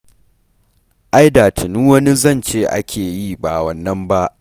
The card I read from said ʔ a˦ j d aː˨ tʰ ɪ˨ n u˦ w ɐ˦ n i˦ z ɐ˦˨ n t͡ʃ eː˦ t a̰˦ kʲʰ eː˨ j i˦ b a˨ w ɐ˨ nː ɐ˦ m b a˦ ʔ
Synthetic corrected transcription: ʔ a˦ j d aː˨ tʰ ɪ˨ n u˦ w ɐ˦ n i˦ z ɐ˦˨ n t͡ʃ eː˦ ʔ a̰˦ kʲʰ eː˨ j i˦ b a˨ w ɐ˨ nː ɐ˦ m b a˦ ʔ